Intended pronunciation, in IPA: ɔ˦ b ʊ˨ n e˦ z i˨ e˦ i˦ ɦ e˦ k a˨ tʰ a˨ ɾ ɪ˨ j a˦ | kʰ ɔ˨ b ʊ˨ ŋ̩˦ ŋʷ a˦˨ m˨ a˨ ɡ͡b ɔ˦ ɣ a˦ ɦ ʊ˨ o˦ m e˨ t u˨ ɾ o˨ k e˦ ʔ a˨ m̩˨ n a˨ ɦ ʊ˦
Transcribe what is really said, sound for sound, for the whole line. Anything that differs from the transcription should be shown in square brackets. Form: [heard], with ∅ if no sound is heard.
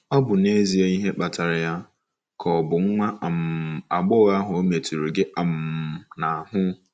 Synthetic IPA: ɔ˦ b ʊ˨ n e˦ z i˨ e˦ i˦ ɦ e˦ [k͡p] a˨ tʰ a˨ ɾ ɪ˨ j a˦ | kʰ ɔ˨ b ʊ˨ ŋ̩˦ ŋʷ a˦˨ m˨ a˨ ɡ͡b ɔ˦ ɣ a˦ ɦ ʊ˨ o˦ m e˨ t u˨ ɾ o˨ [ɡ] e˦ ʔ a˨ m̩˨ n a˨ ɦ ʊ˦